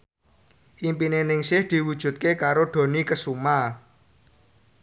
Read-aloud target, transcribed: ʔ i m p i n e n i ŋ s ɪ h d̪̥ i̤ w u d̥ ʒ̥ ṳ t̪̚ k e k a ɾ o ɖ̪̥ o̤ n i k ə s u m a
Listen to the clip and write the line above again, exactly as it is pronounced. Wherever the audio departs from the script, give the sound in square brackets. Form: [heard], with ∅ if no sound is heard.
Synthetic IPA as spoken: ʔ i m p i n e n [ɪ] ŋ s ɪ h d̪̥ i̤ w u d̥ ʒ̥ ṳ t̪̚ k e k a ɾ o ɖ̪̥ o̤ n i k ə s u m a